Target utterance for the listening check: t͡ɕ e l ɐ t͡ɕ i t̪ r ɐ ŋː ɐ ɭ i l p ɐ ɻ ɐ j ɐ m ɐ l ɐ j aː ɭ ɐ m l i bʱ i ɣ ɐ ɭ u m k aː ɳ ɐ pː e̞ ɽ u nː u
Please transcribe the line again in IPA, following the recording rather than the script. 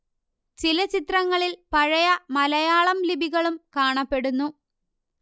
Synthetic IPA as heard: t͡ɕ i l ɐ t͡ɕ i t̪ r ɐ ŋː ɐ ɭ i l p ɐ ɻ ɐ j ɐ m ɐ l ɐ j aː ɭ ɐ m l i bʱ i ɣ ɐ ɭ u m k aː ɳ ɐ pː e̞ ɽ u nː u